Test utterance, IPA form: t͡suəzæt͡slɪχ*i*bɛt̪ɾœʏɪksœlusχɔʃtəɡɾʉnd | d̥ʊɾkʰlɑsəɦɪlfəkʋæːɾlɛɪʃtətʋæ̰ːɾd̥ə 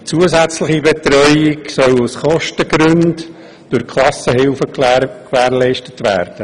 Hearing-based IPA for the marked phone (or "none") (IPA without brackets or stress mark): i